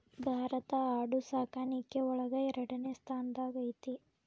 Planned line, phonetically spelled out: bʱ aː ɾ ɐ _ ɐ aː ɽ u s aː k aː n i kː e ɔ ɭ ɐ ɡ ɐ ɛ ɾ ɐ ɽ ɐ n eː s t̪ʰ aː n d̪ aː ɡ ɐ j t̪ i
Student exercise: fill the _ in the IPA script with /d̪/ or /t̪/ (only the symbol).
t̪